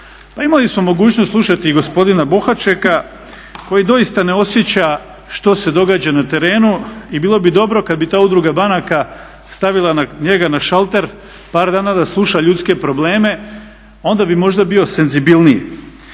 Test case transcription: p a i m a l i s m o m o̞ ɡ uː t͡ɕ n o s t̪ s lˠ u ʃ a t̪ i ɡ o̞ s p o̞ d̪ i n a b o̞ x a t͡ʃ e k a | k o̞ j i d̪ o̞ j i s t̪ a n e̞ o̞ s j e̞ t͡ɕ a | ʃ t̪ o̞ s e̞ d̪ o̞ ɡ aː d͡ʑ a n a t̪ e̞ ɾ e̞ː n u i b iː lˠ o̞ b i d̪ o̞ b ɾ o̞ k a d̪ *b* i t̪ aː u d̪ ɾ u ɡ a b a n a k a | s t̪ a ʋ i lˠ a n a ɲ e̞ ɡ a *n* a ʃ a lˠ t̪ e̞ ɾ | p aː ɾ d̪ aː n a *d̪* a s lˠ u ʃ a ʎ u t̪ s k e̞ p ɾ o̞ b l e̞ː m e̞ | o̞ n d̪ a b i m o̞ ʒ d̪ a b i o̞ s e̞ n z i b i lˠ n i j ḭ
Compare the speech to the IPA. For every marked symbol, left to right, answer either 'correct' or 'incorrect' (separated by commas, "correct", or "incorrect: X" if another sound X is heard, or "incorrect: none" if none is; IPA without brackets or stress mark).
correct, correct, correct